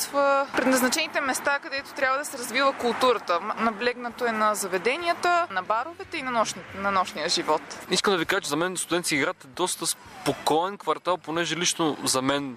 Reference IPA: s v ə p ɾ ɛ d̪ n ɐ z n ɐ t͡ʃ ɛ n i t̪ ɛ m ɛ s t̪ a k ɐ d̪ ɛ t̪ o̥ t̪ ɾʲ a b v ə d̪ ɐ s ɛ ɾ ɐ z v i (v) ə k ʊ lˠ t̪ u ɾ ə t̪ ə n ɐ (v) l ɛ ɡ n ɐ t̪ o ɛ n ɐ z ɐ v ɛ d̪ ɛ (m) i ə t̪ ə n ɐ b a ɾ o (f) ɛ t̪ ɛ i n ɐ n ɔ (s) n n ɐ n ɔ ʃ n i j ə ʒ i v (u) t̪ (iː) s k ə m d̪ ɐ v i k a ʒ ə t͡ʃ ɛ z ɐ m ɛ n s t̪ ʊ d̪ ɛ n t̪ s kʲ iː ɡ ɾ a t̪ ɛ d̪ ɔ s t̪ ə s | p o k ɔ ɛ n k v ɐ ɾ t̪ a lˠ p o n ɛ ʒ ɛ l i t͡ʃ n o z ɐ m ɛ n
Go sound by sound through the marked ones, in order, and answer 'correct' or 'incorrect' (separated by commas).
correct, incorrect, incorrect, incorrect, incorrect, incorrect, incorrect